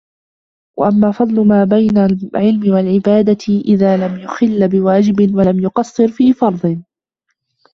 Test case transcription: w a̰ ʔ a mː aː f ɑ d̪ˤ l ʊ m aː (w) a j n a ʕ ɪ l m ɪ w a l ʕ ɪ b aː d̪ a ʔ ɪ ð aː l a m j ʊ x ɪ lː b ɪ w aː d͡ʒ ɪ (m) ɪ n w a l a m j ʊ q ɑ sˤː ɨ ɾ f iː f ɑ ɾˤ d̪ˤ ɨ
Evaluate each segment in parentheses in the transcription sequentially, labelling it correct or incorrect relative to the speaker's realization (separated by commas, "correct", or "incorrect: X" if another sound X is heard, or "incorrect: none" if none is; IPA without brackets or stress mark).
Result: incorrect: b, incorrect: b